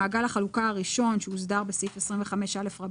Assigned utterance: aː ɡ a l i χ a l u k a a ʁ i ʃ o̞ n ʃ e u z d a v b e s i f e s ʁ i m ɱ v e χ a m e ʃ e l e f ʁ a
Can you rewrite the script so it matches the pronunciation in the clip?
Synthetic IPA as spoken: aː ɡ a l a χ a l u k a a ʁ i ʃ o̞ n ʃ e u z d a ʁ b e s i f e s ʁ i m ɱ v e χ a m e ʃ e l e f ʁ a